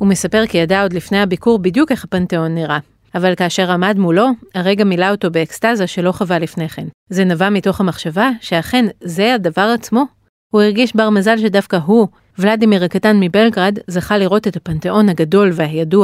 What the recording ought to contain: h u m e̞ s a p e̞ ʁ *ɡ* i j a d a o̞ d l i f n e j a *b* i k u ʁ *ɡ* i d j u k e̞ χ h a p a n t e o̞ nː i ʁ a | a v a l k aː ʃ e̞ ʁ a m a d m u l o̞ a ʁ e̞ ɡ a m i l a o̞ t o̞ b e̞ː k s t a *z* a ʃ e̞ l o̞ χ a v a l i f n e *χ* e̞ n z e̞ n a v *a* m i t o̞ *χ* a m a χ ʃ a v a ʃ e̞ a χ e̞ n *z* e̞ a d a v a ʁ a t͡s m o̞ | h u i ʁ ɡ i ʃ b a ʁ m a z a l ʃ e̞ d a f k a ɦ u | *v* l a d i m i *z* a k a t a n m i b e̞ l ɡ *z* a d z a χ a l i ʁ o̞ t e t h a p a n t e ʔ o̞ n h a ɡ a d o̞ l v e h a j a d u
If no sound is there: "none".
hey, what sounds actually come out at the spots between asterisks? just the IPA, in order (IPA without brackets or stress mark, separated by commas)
k, b, b, z, χ, a, χ, z, v, ʁ, ʁ